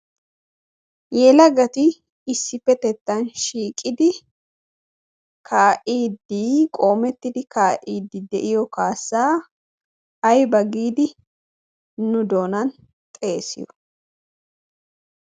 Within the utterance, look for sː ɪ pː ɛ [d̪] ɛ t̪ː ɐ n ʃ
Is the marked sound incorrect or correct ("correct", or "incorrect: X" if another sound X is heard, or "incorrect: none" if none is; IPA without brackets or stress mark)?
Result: incorrect: t̪